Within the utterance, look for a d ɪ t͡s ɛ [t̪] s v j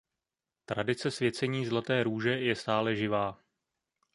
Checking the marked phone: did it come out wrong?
yes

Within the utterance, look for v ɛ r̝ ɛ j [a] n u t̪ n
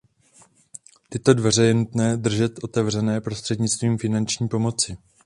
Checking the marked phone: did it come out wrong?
yes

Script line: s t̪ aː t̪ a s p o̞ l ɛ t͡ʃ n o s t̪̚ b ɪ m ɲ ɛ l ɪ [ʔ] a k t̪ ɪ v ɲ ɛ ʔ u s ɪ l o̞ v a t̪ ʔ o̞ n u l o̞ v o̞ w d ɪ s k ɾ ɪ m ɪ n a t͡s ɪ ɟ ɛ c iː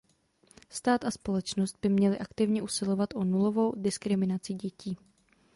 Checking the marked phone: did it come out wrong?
no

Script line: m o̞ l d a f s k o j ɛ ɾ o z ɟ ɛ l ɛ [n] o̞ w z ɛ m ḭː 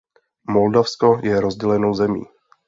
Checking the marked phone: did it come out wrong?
no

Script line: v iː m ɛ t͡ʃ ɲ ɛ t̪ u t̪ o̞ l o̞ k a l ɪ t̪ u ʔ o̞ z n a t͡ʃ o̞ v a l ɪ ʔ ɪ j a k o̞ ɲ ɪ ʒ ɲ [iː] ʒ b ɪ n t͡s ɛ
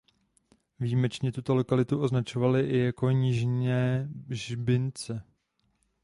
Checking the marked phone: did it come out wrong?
yes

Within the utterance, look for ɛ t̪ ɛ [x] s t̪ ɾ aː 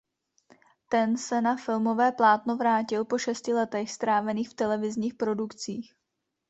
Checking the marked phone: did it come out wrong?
no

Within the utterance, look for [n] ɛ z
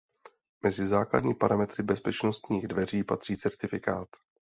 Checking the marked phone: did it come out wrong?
yes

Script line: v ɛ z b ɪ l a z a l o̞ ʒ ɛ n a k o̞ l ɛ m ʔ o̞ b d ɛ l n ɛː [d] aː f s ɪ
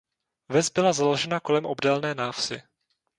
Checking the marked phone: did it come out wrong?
yes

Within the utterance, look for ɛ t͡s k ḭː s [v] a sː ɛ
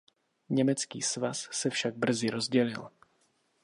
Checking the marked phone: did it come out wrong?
no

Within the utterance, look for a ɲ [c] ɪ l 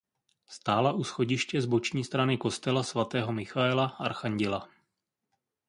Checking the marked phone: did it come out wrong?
yes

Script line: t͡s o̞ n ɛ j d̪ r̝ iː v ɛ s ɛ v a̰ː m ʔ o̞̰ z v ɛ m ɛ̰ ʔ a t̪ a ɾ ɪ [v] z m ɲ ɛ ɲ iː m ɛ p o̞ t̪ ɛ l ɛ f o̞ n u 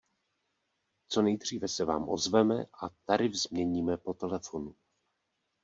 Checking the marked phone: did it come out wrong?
no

